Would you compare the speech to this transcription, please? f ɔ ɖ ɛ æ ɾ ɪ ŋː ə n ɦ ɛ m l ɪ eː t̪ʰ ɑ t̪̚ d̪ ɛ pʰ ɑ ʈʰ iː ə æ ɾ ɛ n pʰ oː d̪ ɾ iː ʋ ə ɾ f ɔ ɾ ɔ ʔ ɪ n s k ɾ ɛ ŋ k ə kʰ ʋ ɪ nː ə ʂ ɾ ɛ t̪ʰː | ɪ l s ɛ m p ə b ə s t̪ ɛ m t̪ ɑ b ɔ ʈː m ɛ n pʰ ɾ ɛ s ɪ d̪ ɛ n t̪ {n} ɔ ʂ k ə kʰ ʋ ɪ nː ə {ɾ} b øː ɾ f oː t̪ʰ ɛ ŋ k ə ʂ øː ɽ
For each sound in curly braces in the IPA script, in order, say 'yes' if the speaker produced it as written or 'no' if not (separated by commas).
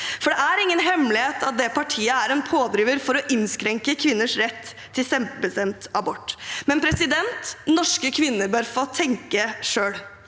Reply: yes, yes